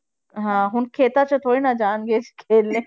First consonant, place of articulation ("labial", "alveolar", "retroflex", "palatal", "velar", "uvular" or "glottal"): glottal